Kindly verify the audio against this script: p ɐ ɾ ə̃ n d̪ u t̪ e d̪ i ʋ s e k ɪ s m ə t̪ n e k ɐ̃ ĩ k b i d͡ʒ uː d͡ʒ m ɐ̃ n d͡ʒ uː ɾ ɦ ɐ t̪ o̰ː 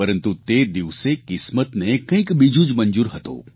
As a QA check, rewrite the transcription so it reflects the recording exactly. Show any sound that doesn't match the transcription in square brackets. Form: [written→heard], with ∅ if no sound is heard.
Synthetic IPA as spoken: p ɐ ɾ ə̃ n [d̪→t̪] u t̪ e d̪ i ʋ s e k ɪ s m ə t̪ n e k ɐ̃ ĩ k b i d͡ʒ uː d͡ʒ m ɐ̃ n d͡ʒ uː ɾ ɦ ɐ t̪ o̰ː